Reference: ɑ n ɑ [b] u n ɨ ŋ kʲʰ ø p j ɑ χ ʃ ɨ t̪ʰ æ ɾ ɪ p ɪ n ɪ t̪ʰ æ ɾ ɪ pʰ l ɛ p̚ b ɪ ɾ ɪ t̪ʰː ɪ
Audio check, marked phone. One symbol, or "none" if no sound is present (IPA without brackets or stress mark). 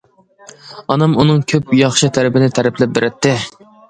m